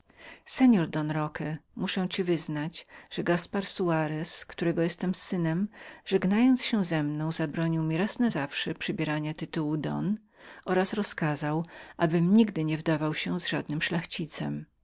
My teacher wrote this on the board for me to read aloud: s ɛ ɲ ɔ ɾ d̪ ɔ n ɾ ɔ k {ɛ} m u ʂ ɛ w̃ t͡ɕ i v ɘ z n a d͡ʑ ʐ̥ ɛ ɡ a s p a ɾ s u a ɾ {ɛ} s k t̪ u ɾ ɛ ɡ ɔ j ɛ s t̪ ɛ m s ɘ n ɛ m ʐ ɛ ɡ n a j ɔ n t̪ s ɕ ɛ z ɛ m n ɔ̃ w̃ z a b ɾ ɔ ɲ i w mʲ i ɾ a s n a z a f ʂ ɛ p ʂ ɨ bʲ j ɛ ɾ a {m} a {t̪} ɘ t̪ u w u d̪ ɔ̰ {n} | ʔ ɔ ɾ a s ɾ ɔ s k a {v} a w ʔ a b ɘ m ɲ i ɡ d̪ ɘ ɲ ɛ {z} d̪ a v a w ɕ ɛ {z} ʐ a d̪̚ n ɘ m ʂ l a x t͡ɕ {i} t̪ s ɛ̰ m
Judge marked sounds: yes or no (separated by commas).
yes, yes, no, yes, yes, no, no, yes, yes